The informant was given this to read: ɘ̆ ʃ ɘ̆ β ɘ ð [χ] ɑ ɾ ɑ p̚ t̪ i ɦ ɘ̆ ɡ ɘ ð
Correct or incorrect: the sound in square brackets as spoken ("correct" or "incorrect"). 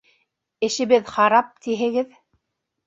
correct